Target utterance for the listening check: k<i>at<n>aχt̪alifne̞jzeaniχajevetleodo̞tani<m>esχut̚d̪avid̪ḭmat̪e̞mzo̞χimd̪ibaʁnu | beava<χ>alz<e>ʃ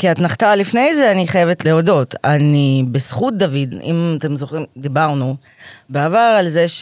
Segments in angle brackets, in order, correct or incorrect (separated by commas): correct, correct, incorrect, incorrect, correct